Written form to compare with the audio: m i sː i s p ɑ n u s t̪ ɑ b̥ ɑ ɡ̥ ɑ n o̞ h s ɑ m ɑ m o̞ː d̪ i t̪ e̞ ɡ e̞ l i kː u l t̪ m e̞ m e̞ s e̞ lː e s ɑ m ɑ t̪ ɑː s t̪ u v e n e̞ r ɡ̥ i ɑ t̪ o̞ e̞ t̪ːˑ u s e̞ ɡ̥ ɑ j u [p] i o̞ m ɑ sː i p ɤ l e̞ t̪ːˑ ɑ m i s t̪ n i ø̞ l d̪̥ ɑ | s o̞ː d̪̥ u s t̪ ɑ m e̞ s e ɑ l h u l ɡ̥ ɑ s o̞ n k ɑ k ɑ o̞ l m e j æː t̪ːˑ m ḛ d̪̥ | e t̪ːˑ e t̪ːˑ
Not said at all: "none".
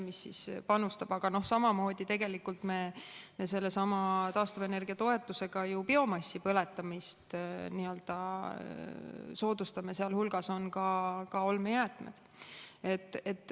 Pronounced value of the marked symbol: p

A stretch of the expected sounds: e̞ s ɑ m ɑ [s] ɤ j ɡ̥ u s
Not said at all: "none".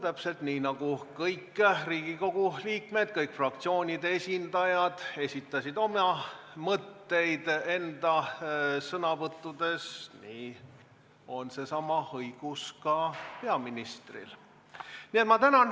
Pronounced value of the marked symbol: h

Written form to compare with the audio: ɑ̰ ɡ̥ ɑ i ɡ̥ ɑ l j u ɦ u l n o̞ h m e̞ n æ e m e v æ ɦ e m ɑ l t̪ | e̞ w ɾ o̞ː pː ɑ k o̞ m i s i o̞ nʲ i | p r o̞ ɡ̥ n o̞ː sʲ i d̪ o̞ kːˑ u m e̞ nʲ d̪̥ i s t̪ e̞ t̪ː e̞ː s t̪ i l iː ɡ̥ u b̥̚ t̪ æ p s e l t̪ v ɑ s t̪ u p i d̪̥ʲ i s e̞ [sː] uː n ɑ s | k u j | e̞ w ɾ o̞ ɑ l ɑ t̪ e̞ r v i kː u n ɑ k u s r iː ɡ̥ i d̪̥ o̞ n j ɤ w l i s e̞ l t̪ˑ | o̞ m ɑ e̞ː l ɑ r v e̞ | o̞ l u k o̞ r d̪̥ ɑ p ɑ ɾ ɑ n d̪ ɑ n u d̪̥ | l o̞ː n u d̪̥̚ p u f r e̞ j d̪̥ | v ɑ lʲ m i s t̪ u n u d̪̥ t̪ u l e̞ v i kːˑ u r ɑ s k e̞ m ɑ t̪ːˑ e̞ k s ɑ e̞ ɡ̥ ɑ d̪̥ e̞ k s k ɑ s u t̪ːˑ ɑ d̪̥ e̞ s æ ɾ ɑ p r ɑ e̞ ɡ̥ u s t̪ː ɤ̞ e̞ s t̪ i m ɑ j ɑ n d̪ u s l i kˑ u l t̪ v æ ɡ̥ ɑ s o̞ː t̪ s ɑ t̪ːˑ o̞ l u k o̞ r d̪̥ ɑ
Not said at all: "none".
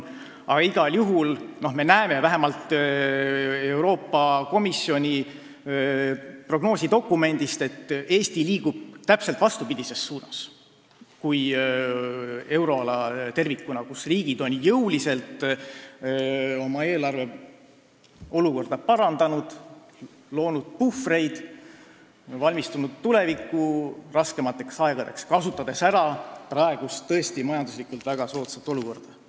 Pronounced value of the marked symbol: sː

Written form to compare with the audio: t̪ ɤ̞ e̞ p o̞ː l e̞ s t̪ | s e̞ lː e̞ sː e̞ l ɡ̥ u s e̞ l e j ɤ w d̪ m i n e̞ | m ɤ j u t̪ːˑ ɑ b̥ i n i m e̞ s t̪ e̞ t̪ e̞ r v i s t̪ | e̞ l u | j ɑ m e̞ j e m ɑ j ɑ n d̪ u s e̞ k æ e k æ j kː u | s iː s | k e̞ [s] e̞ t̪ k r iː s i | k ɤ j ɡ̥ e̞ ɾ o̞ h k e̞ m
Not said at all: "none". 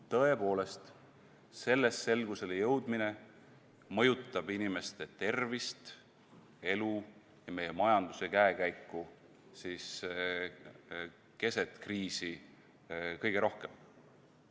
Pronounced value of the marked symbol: s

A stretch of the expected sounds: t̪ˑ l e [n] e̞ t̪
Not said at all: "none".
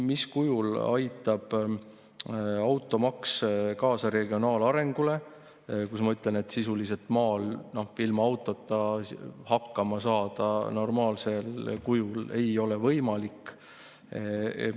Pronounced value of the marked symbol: n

